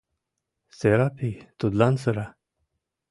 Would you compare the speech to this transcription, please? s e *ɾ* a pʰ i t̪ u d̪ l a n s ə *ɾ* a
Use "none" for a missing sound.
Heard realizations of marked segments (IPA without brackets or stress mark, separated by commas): ɾ, ɾ